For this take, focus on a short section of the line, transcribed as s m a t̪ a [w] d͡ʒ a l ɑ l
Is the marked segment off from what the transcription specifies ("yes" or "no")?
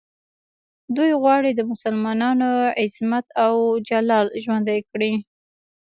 no